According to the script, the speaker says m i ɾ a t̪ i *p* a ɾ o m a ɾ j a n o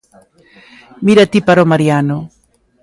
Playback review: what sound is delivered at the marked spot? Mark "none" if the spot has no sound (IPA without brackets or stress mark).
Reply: p